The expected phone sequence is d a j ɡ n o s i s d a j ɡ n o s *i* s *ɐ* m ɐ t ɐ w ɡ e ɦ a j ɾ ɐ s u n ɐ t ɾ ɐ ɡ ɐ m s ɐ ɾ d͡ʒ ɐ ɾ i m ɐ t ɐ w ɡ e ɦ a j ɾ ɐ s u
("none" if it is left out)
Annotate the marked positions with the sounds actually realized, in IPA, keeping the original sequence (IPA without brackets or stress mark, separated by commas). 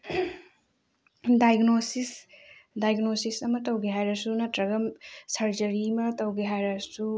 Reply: i, ɐ